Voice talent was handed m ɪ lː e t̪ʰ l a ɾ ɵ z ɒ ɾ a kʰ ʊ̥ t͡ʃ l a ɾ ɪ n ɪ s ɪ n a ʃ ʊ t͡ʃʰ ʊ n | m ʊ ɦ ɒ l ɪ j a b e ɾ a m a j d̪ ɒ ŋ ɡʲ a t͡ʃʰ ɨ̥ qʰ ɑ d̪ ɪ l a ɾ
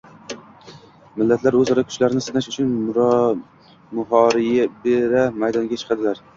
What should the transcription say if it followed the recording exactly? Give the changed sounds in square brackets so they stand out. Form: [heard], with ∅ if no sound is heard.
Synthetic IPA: m ɪ lː [a] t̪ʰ l a ɾ ɵ z ɒ ɾ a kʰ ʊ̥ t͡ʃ l a ɾ ɪ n ɪ s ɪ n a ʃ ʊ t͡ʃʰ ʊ n | m ʊ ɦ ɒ [ɾ] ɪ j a b e ɾ a m a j d̪ ɒ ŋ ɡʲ a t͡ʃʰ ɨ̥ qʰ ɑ d̪ ɪ l a ɾ